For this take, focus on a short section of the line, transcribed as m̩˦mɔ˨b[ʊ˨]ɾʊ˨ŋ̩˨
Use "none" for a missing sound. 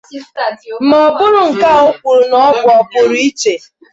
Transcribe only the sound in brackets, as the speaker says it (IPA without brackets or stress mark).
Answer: ʊ˦